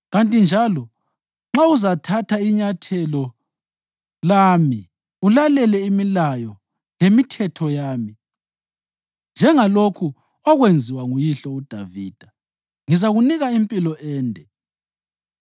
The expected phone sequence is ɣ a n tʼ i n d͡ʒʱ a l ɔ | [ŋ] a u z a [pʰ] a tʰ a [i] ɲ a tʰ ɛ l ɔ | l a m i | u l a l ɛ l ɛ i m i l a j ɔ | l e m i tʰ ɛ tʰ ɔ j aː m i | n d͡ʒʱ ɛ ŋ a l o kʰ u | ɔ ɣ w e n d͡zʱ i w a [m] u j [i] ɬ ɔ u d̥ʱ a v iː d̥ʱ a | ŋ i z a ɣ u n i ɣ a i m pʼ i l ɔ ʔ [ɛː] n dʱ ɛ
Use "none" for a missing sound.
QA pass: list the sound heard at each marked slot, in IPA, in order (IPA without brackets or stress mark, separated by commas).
ŋ͡ǁ, tʰ, i, ŋ, i, ɛː